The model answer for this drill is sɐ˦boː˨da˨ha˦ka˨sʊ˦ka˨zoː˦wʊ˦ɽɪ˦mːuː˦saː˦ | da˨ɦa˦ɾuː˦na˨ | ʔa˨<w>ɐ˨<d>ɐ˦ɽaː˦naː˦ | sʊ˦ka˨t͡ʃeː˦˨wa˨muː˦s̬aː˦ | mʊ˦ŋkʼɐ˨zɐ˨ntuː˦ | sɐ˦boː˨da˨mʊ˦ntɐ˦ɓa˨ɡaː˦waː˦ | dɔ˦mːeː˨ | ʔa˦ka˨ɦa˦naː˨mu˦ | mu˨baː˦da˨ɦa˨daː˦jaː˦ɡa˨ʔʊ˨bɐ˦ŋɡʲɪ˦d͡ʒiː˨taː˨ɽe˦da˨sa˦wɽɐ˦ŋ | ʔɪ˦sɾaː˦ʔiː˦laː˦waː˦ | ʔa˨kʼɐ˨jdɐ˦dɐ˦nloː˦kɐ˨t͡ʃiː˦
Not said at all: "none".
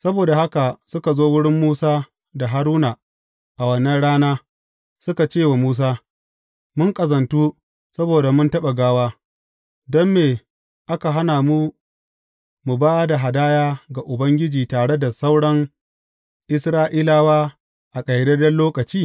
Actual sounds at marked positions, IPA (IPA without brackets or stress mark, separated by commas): w, n